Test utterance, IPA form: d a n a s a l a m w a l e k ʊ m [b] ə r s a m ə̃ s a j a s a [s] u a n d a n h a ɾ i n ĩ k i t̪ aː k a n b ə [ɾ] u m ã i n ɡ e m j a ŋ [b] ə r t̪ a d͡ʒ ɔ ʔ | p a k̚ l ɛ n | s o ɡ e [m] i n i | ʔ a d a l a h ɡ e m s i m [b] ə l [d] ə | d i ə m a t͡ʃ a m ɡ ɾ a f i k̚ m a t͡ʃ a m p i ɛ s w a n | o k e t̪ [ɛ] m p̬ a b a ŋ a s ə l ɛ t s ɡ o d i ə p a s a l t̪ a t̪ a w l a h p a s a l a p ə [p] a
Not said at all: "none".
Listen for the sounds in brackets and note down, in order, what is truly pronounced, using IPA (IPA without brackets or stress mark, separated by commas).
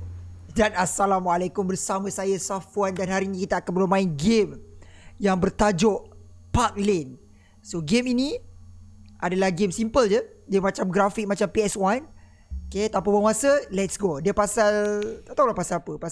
b, f, l, b, m, p, d͡ʒ, a, p